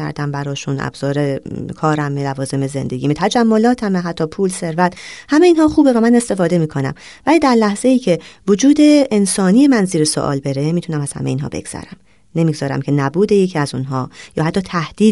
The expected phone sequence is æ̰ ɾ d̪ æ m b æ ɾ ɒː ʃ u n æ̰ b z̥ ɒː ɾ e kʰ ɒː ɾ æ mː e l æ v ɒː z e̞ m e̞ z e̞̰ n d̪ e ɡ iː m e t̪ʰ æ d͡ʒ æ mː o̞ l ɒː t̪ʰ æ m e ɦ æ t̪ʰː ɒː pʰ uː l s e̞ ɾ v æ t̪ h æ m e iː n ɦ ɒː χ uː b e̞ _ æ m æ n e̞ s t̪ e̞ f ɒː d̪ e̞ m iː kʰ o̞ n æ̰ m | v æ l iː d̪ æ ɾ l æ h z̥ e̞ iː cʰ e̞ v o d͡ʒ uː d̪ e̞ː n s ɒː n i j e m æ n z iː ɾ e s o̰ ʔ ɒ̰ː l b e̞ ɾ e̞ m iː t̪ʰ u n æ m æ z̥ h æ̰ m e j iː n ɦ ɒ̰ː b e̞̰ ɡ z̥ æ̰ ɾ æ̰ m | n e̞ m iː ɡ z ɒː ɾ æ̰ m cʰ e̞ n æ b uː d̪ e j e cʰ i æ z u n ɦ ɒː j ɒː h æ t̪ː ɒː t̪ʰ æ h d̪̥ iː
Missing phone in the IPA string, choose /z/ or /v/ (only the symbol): v